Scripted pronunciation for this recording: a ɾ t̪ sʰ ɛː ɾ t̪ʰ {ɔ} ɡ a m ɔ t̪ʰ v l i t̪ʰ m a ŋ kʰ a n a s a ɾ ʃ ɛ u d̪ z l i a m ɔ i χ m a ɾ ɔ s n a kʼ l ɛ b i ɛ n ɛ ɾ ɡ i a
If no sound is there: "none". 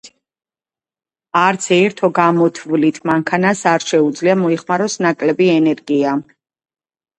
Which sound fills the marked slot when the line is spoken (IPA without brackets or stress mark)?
ɔ